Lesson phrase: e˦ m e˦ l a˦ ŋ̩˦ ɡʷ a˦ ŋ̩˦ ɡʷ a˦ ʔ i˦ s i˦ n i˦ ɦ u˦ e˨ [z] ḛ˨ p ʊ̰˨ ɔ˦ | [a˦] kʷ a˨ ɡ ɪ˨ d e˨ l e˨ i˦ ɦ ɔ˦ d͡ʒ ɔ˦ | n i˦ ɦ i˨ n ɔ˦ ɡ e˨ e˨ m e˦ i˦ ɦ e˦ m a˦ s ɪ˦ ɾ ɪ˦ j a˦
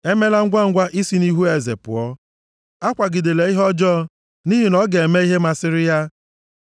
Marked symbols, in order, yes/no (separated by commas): yes, yes